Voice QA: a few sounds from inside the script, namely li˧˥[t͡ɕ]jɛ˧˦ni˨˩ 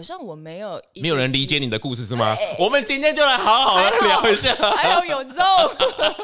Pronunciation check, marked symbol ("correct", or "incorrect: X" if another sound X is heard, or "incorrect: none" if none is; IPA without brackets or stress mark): correct